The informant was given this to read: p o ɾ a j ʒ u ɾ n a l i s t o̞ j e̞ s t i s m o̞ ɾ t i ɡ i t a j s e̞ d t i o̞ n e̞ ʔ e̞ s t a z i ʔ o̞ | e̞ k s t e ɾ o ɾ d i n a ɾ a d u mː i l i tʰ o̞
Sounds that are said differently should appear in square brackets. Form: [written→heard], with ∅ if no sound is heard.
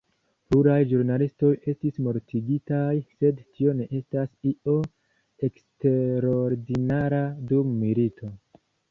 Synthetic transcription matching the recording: p [o→u] ɾ a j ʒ u ɾ n a l i s t o̞ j e̞ s t i s m o̞ ɾ t i ɡ i t a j s e̞ d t i o̞ n e̞ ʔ e̞ s t a [z→s] i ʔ o̞ | e̞ k s t e ɾ o ɾ d i n a ɾ a d u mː i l i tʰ o̞